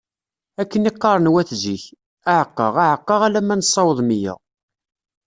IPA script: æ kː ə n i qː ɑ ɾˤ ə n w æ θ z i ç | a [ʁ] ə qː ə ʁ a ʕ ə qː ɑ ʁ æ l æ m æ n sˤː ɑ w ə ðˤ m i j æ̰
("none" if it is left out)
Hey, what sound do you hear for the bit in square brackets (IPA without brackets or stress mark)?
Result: ʕ